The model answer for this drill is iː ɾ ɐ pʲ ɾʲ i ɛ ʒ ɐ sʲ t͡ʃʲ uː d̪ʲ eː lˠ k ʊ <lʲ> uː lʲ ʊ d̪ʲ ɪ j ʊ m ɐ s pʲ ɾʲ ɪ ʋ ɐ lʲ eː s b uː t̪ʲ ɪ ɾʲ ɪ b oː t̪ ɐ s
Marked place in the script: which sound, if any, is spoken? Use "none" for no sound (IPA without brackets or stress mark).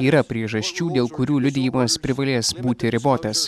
ɾʲ